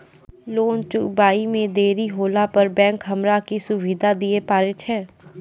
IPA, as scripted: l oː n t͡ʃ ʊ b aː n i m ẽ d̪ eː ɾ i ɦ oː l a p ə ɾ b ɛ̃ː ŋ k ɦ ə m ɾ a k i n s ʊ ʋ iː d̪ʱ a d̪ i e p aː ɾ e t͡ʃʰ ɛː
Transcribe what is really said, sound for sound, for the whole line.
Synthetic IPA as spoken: l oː n t͡ʃ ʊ b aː i m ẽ d̪ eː ɾ i ɦ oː l a p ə ɾ b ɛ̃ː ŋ k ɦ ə m ɾ a k i s ʊ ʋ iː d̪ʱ a d̪ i e p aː ɾ e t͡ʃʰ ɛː